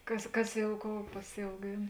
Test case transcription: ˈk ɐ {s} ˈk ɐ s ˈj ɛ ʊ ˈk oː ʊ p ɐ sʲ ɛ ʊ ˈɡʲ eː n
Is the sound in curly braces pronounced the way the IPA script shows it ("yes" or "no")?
yes